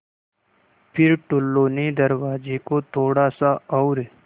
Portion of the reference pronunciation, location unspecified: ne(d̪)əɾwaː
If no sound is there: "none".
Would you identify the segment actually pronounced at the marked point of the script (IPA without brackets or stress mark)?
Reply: d̪